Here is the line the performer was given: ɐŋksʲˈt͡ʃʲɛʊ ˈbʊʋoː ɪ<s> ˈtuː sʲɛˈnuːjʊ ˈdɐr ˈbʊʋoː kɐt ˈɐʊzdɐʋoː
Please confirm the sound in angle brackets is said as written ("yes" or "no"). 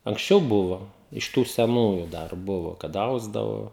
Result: no